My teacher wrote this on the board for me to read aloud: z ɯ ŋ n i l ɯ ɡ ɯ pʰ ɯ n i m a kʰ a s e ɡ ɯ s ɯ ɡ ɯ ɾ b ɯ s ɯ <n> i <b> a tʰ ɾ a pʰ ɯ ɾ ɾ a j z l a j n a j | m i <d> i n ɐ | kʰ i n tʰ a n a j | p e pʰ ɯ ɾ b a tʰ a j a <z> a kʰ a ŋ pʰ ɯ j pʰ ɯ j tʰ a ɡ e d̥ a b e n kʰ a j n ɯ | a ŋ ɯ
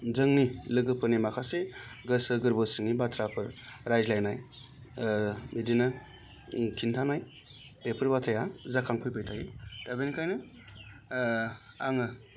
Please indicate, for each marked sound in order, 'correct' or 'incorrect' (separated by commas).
incorrect, correct, correct, correct